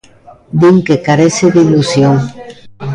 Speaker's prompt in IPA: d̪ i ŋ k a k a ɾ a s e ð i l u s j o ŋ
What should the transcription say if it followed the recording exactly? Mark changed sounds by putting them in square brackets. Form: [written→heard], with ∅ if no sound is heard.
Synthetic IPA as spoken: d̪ i ŋ k [a→e] k a ɾ [a→e] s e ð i l u s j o ŋ